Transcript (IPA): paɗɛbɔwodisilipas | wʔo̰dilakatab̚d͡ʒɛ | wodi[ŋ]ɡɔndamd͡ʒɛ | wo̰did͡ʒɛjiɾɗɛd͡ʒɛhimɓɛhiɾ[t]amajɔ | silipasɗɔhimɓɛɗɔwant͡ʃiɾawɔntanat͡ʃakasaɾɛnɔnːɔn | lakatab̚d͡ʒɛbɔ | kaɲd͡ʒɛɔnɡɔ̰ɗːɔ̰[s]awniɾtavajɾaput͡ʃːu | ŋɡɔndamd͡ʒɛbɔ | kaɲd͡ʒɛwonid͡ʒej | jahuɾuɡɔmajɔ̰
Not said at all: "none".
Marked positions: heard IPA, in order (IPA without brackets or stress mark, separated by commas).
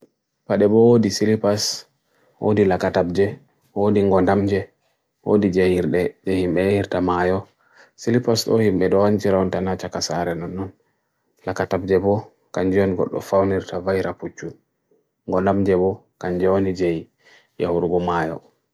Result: ŋ, t, f